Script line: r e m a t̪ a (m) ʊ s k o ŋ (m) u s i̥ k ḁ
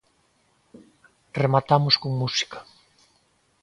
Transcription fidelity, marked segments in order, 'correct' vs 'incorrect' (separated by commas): correct, correct